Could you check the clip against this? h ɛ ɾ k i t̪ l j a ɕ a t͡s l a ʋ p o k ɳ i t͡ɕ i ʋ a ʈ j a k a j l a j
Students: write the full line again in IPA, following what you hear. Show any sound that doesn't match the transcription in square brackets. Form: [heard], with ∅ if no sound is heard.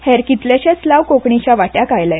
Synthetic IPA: h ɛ ɾ k i t̪ l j a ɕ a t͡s l a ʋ [k] o k ɳ i t͡ɕ [a] ʋ a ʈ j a k a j l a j